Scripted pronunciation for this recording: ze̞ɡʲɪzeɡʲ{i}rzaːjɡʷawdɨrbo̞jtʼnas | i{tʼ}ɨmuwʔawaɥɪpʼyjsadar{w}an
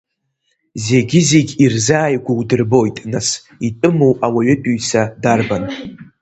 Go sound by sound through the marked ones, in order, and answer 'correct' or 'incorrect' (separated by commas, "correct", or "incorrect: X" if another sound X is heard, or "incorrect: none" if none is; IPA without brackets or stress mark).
correct, correct, incorrect: b